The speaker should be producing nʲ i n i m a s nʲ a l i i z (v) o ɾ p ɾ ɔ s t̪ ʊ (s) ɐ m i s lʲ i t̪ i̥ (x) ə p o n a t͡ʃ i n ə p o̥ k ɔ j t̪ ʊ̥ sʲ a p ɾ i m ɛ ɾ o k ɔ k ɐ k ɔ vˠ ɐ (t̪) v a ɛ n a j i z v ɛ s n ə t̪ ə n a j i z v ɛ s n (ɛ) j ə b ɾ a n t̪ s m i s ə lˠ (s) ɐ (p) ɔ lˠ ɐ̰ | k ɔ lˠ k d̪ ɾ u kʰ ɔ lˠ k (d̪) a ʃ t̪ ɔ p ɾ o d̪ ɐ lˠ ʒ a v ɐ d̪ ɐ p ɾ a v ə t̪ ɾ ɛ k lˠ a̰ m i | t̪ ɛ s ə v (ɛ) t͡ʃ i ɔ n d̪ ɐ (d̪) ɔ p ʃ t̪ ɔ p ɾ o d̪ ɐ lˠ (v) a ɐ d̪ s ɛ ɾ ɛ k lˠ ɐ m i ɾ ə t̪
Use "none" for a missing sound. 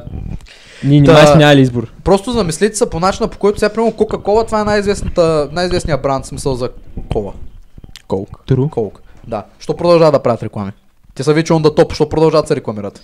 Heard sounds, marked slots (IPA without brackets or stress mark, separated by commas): b, z, s, t̪, i, z, k, d̪, i, t̪, ʒ